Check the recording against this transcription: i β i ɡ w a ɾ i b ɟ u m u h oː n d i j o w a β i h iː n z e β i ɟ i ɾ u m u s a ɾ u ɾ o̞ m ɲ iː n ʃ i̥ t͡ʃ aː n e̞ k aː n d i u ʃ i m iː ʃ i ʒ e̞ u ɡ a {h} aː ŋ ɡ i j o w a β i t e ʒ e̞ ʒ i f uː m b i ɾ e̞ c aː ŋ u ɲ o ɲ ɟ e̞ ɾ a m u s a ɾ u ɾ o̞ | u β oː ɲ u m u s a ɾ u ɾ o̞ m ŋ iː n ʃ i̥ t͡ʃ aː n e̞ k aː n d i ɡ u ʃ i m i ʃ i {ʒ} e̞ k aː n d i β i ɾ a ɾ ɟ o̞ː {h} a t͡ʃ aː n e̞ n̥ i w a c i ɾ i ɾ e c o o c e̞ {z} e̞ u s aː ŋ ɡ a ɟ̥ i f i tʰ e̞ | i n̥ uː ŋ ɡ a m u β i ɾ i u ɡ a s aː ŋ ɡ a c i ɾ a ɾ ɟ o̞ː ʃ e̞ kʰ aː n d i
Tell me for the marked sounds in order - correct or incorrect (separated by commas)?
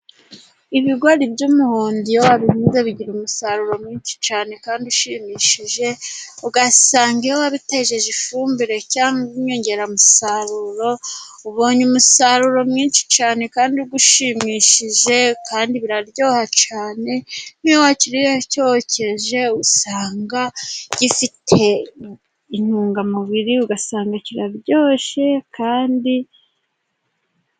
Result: incorrect, correct, correct, incorrect